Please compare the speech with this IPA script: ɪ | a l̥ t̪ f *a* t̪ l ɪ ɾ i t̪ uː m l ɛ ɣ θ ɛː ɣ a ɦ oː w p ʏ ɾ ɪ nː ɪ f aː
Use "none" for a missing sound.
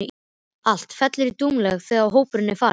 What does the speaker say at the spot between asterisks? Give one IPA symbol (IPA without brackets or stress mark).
ɛ